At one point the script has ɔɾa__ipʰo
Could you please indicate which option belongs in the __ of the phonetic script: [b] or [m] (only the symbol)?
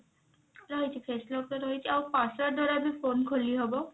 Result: b